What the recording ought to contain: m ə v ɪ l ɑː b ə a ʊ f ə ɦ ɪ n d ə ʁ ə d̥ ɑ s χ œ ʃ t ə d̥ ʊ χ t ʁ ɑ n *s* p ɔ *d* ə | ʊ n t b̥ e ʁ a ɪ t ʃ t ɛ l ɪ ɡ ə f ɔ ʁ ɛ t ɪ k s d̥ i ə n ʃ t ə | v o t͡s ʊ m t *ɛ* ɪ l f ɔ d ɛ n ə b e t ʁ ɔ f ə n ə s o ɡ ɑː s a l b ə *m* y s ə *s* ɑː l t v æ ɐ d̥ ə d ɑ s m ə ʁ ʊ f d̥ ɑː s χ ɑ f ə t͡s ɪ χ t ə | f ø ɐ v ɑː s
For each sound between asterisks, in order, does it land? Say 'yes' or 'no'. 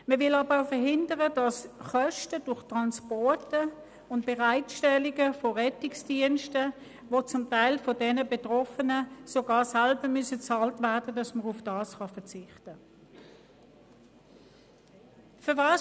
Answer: yes, no, no, yes, no

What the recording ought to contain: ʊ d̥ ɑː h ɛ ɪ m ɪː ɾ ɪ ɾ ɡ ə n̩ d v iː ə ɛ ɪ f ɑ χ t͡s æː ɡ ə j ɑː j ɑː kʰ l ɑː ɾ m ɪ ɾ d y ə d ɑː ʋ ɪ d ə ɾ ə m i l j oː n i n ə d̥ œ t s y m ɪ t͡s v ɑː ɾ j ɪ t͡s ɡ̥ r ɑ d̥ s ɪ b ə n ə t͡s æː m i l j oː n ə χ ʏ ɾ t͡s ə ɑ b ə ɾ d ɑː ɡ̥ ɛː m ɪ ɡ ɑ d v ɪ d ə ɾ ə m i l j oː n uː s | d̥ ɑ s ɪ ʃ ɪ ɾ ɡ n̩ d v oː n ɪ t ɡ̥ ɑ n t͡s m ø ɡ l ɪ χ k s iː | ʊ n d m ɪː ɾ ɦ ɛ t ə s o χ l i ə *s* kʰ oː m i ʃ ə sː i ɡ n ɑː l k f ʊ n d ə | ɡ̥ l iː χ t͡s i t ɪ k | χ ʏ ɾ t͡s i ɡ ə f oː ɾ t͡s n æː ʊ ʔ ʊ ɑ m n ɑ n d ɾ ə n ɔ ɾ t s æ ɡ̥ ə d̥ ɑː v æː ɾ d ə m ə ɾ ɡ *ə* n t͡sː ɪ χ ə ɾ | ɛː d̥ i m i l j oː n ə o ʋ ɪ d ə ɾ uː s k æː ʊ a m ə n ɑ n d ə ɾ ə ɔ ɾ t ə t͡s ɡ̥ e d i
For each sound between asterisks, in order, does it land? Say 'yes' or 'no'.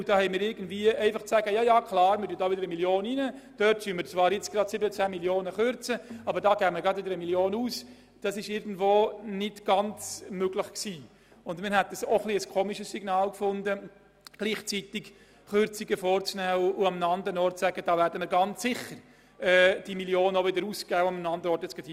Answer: yes, no

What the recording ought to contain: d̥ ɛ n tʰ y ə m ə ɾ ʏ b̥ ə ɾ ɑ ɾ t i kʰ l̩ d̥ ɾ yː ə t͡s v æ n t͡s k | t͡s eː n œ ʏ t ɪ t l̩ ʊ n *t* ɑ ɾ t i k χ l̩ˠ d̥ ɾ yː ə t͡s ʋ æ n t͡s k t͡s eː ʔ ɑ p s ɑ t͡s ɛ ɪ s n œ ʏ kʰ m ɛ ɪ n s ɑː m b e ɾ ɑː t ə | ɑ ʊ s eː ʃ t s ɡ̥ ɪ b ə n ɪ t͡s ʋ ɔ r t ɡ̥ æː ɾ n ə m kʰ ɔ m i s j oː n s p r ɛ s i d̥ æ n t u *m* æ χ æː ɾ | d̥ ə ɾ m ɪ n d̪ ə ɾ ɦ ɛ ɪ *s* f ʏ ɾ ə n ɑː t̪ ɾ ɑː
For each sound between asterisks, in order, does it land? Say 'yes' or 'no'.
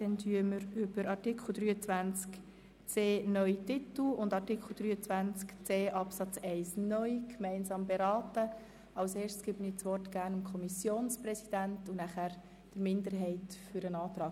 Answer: no, no, no

